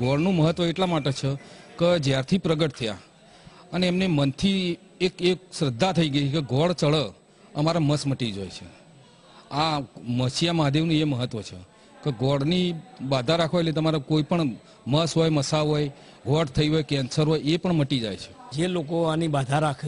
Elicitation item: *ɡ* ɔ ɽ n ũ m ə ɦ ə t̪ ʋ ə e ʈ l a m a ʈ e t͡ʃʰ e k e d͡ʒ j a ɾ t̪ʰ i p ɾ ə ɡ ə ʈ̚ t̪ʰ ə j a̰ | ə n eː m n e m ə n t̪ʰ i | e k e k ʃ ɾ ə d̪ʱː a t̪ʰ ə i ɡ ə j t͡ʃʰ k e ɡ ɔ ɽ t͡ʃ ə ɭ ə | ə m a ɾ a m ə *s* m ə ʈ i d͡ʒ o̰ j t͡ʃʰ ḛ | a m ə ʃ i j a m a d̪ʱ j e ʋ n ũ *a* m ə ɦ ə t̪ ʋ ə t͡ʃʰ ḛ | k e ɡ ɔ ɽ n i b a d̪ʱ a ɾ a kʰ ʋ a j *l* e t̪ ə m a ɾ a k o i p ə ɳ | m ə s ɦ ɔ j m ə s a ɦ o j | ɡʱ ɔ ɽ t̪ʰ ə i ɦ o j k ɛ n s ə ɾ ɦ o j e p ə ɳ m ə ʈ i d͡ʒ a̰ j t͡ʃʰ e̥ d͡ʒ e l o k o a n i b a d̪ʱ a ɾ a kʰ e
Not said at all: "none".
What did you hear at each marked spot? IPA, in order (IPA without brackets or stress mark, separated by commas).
ɡ, s, e, l